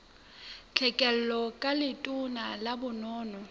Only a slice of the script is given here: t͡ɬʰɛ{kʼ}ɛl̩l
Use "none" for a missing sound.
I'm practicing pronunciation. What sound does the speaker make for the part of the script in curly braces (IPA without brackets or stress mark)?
kʼ